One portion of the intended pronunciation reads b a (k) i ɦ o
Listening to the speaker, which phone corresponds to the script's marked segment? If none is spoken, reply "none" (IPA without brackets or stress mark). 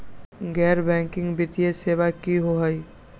k